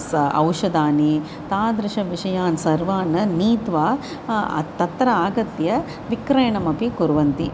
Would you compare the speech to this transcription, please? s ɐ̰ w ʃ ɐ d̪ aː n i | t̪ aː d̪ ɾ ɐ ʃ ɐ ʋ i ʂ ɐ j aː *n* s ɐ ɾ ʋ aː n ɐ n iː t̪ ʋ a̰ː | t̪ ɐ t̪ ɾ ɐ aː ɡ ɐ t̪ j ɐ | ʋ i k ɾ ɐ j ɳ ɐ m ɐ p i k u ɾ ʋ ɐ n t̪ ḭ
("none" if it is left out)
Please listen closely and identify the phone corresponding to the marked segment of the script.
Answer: n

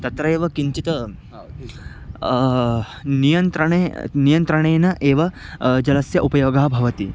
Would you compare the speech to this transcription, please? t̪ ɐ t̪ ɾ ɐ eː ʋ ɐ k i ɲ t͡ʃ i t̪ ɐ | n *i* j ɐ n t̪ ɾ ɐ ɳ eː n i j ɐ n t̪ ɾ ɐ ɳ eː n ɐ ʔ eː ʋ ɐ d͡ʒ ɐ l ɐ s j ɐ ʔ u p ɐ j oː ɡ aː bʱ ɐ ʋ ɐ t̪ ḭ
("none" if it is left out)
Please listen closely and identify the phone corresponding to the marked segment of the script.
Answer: i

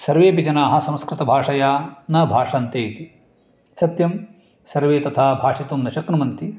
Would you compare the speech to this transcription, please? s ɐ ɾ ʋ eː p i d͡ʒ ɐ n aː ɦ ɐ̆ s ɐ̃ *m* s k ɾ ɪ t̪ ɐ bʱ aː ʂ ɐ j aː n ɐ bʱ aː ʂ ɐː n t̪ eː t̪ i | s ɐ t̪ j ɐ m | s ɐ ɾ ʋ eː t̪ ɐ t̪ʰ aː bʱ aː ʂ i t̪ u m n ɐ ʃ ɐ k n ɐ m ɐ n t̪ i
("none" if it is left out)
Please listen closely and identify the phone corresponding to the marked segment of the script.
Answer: m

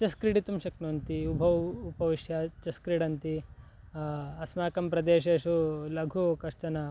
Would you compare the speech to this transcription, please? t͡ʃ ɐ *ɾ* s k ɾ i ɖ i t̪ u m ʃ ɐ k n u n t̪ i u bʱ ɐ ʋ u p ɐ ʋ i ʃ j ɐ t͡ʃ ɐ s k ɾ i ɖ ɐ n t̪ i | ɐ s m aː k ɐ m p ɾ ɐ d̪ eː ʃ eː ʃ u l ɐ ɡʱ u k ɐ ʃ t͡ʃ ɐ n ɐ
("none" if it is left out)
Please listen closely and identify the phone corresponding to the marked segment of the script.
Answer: none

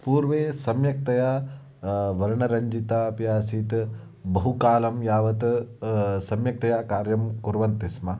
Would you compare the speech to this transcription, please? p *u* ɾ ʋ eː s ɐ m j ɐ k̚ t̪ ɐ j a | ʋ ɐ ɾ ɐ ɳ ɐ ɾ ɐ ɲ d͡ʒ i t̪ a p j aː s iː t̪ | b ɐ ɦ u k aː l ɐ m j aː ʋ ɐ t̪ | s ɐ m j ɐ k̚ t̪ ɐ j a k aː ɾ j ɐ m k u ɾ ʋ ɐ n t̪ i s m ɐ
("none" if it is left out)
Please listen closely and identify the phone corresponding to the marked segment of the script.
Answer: uː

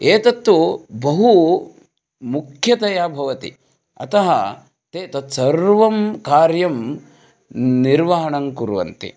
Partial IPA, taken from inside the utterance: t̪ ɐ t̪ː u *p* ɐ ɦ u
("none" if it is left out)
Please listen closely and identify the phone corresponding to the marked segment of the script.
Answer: b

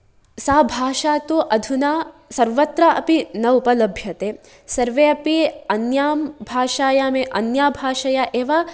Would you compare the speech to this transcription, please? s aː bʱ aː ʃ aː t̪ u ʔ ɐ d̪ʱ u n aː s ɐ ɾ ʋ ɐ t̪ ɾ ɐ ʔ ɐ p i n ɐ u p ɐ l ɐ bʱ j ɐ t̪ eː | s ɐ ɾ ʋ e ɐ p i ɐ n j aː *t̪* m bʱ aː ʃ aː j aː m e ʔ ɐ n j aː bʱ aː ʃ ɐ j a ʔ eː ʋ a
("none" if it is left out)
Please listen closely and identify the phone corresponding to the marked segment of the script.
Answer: none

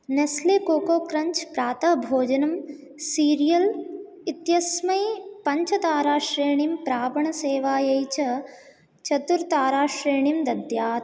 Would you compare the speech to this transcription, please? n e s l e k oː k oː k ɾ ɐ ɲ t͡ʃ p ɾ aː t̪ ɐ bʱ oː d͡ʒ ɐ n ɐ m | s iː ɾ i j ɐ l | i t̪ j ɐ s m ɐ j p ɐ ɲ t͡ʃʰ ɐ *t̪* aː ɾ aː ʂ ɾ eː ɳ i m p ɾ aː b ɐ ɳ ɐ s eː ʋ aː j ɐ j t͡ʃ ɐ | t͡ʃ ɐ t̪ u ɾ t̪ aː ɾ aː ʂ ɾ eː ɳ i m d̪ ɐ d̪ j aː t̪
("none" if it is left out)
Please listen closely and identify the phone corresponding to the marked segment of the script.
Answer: t̪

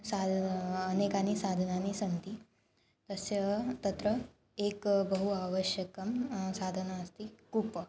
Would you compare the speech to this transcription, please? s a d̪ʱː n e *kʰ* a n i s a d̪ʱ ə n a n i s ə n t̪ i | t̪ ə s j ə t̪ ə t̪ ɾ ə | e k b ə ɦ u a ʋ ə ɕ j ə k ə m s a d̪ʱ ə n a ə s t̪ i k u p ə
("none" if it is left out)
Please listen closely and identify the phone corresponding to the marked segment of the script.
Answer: k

